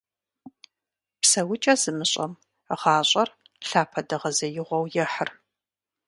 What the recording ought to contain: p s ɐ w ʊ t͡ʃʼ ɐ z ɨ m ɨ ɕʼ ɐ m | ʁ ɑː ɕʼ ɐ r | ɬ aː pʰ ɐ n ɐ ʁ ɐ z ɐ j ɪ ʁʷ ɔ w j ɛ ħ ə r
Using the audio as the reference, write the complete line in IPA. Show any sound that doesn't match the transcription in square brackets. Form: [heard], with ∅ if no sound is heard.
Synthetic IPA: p s ɐ w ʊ t͡ʃʼ ɐ z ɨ m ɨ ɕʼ ɐ m | ʁ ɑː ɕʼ ɐ r | ɬ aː pʰ ɐ [d] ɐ ʁ ɐ z ɐ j ɪ ʁʷ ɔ w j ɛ ħ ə r